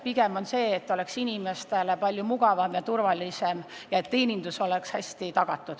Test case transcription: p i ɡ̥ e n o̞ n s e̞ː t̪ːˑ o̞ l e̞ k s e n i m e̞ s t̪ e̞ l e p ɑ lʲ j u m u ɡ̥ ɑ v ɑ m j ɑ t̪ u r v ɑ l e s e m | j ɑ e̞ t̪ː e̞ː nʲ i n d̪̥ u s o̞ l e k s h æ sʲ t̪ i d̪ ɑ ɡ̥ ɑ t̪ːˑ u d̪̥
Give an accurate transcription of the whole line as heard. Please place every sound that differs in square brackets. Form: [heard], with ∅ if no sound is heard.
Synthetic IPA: p i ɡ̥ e [m] o̞ n s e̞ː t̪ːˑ o̞ l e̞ k s [i] n i m e̞ s t̪ e̞ l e p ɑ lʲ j u m u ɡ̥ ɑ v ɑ m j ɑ t̪ u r v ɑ l [i] s e m | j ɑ e̞ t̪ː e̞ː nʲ i n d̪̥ u s o̞ l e k s h æ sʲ t̪ i [t̪] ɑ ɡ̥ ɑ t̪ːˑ u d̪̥